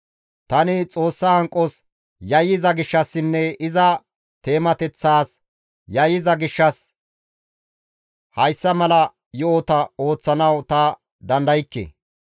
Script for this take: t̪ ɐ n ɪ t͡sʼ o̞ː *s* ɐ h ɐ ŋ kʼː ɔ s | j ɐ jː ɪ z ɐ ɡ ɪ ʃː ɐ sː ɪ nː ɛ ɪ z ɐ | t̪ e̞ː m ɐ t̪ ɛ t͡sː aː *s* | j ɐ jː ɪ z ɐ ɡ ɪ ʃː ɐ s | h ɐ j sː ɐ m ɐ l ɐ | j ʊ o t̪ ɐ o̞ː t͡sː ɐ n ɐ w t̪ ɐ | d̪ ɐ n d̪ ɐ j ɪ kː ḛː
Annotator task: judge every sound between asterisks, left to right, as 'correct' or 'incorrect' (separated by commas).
incorrect, correct